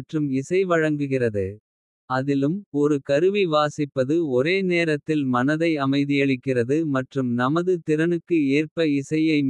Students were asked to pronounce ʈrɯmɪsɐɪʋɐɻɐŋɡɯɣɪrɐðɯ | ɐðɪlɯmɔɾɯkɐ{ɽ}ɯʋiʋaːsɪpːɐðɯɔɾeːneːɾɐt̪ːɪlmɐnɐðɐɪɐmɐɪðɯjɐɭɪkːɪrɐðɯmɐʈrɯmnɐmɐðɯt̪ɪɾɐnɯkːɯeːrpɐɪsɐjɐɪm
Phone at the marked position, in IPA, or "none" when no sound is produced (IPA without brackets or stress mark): ɾ